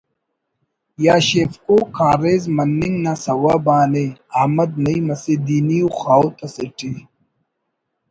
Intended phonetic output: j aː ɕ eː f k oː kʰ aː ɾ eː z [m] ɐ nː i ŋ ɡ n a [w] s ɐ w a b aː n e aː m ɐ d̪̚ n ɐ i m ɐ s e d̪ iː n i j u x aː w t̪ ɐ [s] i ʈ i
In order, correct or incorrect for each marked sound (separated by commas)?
correct, incorrect, correct